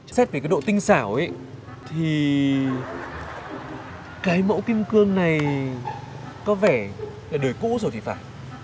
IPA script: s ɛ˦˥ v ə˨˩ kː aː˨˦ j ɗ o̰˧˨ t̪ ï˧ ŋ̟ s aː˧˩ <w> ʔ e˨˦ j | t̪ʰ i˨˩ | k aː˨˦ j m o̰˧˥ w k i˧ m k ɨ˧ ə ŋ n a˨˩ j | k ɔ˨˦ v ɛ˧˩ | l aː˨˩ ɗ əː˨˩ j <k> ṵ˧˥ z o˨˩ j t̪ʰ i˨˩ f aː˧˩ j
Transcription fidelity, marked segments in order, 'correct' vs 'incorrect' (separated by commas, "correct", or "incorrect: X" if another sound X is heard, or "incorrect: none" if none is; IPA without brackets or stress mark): correct, correct